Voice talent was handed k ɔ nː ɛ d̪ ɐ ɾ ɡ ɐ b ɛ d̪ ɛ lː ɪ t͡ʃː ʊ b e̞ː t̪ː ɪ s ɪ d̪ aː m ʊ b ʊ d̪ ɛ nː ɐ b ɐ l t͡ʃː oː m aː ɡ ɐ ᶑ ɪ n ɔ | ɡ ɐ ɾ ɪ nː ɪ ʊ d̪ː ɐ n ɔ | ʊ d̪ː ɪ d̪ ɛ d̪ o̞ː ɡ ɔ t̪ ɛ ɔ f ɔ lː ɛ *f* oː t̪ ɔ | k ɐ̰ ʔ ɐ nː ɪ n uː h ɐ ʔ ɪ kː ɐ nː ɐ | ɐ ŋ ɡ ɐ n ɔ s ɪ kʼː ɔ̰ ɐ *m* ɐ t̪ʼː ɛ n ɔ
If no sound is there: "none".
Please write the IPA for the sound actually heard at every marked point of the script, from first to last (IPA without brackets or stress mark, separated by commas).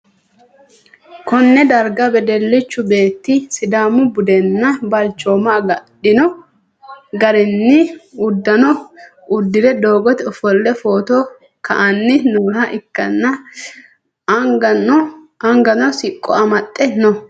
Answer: f, m